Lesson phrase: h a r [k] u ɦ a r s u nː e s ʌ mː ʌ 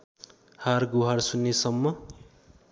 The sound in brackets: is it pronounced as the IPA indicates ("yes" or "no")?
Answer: no